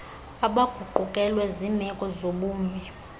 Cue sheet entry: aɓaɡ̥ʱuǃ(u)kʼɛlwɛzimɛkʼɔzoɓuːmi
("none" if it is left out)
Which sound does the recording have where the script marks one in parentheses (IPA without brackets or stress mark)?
u